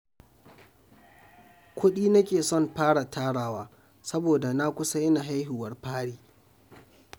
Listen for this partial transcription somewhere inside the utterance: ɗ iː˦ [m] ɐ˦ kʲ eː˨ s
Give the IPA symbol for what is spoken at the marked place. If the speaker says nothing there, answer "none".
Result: n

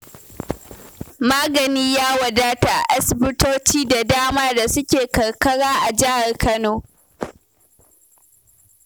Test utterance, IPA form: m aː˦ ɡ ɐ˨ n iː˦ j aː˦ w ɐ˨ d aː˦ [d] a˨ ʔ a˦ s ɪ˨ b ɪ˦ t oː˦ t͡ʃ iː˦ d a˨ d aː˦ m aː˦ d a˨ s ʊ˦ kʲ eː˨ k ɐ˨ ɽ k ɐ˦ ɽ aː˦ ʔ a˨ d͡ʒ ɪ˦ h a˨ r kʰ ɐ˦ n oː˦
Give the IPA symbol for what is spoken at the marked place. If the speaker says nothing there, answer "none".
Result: t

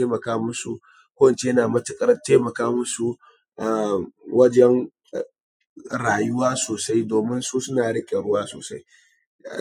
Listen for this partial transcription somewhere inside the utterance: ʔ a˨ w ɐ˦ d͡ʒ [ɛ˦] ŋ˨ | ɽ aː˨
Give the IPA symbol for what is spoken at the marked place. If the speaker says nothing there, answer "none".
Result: ɛ˦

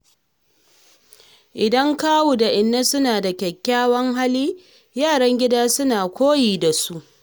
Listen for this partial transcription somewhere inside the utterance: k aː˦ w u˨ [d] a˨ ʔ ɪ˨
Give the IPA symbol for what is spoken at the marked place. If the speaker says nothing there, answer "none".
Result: d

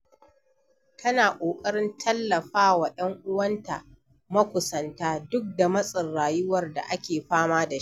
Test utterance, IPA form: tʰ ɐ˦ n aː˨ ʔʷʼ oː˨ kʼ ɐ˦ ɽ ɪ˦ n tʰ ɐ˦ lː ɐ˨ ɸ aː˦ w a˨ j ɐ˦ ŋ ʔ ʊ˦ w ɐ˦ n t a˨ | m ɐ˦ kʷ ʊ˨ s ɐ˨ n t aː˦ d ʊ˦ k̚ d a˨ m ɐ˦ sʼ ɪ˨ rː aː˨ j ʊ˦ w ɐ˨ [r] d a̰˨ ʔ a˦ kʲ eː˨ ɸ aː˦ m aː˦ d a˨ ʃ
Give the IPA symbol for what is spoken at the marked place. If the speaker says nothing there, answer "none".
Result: r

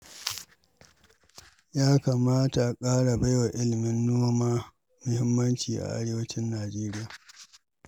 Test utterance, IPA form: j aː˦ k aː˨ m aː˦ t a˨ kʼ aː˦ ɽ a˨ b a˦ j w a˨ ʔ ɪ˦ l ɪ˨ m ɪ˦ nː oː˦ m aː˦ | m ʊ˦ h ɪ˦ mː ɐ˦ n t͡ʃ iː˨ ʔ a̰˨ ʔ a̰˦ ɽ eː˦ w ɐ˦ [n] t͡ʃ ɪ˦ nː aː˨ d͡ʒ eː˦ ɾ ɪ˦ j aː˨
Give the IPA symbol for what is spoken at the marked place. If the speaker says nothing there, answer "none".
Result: none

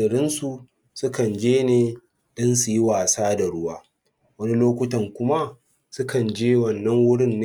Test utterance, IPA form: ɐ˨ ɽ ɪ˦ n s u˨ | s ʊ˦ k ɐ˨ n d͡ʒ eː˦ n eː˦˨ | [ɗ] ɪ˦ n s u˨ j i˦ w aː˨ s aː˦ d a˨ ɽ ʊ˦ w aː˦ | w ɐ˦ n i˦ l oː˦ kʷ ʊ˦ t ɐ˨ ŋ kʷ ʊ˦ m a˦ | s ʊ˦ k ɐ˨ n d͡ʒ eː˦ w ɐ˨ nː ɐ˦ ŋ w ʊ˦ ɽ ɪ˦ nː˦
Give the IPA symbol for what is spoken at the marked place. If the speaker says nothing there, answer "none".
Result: ɗ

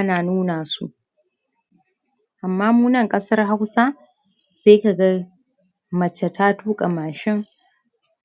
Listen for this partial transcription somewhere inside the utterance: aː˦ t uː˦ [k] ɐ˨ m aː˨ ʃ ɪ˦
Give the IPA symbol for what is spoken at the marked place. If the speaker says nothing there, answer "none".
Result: kʼ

